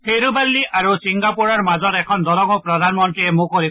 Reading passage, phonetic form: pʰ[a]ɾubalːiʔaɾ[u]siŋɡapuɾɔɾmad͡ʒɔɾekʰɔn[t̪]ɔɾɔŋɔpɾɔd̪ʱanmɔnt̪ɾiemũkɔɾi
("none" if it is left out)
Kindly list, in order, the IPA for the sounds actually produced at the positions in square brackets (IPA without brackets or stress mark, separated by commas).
e, u, d̪